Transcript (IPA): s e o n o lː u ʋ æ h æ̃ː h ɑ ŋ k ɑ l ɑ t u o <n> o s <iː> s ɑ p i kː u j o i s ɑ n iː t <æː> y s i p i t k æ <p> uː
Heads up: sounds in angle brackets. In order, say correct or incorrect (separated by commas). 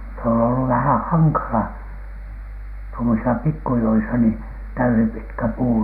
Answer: incorrect, incorrect, incorrect, correct